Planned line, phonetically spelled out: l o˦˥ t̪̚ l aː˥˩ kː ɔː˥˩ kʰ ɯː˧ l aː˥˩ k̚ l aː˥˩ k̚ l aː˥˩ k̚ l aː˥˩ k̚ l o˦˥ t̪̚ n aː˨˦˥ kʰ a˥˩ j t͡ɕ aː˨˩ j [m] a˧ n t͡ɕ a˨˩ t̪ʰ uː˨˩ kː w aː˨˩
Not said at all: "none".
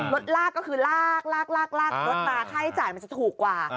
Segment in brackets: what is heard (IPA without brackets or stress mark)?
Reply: m